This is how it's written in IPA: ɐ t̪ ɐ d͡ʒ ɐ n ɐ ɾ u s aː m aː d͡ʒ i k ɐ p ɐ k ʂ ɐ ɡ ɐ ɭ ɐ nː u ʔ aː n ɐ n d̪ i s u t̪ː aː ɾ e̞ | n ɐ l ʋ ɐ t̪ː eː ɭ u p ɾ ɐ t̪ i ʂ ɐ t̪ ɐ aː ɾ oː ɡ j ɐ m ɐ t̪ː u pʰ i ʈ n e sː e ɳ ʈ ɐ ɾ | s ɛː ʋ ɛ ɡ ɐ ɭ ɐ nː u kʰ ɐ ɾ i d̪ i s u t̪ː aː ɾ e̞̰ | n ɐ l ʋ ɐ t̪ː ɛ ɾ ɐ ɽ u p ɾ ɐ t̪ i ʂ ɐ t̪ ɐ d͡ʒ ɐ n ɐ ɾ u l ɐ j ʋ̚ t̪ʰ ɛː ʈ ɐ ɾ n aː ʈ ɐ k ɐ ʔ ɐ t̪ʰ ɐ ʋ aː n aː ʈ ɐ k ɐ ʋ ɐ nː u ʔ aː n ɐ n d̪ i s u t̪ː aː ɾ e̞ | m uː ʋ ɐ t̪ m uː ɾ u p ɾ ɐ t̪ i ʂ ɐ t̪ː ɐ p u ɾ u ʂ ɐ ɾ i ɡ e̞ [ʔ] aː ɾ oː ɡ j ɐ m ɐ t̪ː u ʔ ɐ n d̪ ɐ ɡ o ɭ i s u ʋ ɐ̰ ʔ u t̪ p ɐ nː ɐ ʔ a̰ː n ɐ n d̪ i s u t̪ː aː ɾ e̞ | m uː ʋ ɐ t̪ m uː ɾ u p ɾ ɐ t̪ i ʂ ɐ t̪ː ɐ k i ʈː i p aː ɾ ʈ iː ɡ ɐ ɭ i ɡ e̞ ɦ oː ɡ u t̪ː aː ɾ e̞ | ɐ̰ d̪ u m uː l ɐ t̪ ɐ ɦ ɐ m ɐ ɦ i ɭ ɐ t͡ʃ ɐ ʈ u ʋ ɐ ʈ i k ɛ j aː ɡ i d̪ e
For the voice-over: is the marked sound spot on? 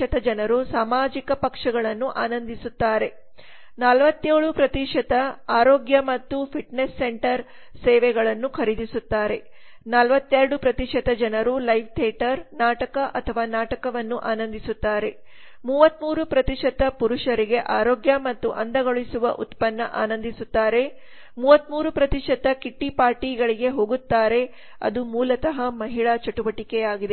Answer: yes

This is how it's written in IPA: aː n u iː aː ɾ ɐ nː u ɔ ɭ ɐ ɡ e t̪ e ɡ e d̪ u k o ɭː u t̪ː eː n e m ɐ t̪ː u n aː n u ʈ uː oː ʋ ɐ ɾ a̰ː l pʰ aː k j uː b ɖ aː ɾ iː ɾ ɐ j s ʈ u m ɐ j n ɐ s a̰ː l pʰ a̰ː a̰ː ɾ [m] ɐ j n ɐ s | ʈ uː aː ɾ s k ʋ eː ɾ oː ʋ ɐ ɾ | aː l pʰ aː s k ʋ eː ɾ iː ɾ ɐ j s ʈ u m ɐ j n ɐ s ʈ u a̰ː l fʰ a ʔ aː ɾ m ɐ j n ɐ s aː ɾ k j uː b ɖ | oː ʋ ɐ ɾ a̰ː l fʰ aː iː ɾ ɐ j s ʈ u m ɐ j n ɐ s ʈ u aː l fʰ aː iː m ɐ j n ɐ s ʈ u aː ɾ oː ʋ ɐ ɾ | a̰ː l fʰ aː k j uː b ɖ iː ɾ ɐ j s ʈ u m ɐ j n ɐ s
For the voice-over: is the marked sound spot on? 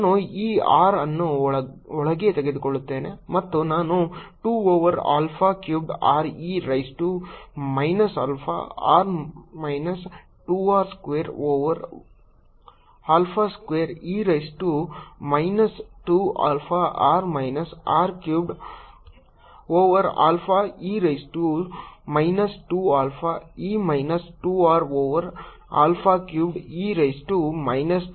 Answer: yes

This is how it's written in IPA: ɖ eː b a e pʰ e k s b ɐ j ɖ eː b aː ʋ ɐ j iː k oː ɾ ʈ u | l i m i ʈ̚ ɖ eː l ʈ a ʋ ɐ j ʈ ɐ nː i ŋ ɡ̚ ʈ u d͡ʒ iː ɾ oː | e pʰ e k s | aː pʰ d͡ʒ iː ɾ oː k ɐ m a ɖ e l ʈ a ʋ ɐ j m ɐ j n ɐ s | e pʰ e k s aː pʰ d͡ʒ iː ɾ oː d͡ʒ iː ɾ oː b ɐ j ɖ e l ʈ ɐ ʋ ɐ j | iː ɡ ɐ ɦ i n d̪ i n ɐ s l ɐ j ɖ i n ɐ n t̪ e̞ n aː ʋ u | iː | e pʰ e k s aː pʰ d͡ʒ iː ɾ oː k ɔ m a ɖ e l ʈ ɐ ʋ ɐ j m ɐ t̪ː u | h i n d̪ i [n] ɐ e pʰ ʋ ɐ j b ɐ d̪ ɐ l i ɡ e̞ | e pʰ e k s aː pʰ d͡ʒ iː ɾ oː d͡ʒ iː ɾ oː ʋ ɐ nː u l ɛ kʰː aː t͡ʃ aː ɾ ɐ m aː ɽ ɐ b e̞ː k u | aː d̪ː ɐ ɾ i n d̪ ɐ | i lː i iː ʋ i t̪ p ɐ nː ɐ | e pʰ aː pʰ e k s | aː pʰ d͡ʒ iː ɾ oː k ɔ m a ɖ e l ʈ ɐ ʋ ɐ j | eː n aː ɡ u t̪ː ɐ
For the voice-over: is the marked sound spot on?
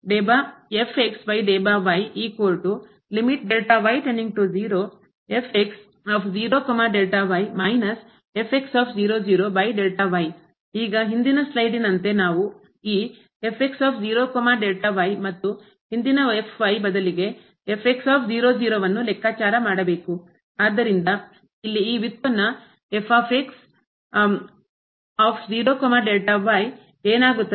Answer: yes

